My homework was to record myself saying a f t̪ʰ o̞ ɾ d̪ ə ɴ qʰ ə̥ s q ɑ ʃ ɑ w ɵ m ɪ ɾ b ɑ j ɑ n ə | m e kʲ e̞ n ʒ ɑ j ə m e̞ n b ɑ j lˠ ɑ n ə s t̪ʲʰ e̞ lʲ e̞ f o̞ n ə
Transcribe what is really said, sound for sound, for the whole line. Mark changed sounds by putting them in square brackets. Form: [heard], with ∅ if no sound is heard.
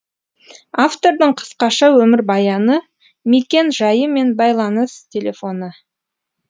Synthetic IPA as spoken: a f [t̪] o̞ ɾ d̪ ə ɴ qʰ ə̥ s q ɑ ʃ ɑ w ɵ m ɪ ɾ b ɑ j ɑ n ə | m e kʲ e̞ n ʒ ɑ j ə m e̞ n b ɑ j lˠ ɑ n ə s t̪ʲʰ e̞ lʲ e̞ f o̞ n ə